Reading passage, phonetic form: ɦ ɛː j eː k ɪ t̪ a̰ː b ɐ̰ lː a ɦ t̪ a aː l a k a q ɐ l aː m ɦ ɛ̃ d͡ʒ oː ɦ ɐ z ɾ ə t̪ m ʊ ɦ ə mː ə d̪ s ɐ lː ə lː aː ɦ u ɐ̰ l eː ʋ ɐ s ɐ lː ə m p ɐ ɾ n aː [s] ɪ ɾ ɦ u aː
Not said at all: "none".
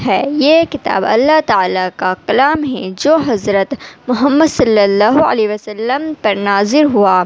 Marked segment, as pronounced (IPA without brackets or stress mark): z